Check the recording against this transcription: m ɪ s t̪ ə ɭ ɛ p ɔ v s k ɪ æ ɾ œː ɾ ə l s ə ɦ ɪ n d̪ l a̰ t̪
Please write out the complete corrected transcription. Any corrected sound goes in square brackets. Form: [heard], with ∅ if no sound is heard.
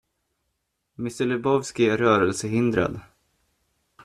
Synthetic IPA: m ɪ s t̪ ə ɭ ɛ [b] ɔ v s k ɪ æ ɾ œː ɾ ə l s ə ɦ ɪ n d̪ [ɾ] a̰ [d̪]